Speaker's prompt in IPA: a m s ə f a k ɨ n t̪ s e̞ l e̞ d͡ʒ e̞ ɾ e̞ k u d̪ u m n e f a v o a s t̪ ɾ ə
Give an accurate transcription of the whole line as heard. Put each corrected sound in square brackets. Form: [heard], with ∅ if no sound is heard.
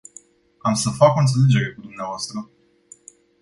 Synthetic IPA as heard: a m s ə f a k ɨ n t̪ s e̞ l e̞ d͡ʒ e̞ ɾ e̞ k u d̪ u m n e [∅] a v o a s t̪ ɾ ə